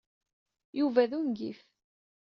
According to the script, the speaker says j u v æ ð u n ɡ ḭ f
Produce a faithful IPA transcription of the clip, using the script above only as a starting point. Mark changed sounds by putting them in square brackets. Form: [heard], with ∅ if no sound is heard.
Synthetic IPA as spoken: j u v æ ð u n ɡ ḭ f